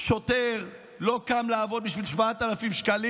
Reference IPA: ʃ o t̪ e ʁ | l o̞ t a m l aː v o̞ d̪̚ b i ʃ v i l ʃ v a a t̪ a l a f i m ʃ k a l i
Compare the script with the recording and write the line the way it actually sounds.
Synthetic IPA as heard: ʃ o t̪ e ʁ | l o̞ k a m l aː v o̞ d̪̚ b i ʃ v i l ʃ v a a t̪ a l a f i m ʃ k a l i

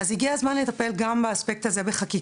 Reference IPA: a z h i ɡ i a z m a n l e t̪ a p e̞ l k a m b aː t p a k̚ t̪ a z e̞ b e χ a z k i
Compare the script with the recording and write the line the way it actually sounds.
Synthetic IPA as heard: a z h i ɡ i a z m a n l e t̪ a p e̞ l ɡ a m b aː s p e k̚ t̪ a z e̞ b e χ a k i

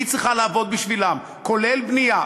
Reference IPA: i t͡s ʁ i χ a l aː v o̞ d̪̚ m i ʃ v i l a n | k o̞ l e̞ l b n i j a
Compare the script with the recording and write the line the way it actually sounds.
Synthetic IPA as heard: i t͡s ʁ i χ a l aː v o̞ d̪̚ b i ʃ v i l a m | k o̞ l e̞ l b n i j a

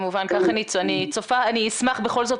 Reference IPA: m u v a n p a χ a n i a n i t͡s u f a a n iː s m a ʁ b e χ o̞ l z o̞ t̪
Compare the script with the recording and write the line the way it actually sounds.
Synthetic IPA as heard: m u v a n k a χ a n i a n i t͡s o f a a n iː s m a χ b e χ o̞ l z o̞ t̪

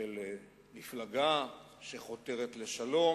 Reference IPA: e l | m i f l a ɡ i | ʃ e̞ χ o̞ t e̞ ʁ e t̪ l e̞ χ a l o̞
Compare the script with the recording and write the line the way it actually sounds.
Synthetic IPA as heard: e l | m i f l a ɡ a | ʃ e̞ χ o̞ t e̞ ʁ e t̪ l e̞ ʃ a l o̞

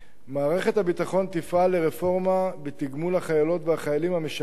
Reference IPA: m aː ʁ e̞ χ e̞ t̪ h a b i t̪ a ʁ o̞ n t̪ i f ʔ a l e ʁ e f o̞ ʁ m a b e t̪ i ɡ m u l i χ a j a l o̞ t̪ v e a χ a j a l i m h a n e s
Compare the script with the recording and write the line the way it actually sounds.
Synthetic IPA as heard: m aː ʁ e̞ χ e̞ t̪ h a b i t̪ a χ o̞ n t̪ i f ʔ a l e ʁ e f o̞ ʁ m a b e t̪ i ɡ m u l a χ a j a l o̞ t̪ v e a χ a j a l i m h a m e ʃ

